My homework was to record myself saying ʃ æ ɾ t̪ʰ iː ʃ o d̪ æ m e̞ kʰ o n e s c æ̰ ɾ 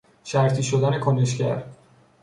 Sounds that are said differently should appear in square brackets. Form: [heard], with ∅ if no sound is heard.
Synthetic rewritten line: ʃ æ ɾ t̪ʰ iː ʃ o d̪ æ [n] e̞ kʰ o n e [ʃ] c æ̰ ɾ